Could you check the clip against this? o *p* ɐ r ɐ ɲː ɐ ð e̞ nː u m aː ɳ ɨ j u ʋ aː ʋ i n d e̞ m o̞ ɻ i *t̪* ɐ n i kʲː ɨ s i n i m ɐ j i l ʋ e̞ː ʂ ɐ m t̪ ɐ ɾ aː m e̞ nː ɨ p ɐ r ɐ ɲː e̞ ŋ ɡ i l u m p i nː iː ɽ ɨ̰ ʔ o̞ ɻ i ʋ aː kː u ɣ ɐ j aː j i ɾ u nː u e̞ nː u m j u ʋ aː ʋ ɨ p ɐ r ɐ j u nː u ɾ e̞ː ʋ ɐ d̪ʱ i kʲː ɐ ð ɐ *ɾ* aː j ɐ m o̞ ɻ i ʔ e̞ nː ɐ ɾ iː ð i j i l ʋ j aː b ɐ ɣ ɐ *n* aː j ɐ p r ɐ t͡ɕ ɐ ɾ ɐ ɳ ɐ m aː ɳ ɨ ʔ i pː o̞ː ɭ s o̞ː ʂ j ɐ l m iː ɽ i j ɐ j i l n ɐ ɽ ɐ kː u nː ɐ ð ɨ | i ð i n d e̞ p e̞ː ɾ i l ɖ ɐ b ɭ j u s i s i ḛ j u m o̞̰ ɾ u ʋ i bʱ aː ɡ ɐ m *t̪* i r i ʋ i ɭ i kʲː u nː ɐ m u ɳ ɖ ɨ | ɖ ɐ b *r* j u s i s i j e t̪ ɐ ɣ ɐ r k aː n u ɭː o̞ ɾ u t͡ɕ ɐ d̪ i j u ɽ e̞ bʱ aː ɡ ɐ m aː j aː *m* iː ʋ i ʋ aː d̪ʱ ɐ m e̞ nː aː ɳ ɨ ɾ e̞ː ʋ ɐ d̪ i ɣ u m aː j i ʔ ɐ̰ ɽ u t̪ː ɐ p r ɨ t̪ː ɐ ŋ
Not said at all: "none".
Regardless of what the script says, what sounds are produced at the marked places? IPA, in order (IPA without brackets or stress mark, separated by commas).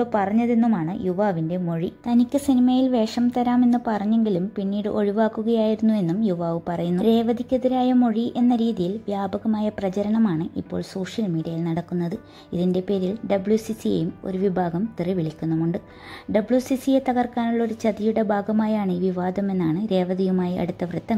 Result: p, t̪, ɾ, m, t̪, ɭ, ɳ